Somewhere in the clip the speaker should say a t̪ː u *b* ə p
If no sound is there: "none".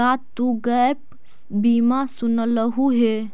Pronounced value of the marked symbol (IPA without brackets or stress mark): ɡ